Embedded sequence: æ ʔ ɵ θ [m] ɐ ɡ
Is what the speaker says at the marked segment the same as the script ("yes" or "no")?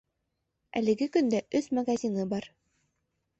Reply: yes